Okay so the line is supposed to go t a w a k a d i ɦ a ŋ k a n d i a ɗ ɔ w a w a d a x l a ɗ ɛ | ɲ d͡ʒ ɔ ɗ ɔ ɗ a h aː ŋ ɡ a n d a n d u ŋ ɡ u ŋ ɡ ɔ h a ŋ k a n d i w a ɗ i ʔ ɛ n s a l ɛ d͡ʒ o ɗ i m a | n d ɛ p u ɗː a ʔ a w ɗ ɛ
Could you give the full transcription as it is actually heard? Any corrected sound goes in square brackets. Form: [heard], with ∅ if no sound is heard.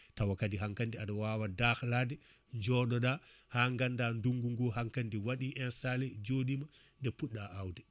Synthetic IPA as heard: t a w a k a d i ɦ a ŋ k a n d i a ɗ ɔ w a w a d a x l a [d] ɛ | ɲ d͡ʒ ɔ ɗ ɔ ɗ a h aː ŋ ɡ a n d a n d u ŋ ɡ u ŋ ɡ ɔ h a ŋ k a n d i w a ɗ i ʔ ɛ n s a l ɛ d͡ʒ o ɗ i m a | n d ɛ p u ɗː a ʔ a w [d] ɛ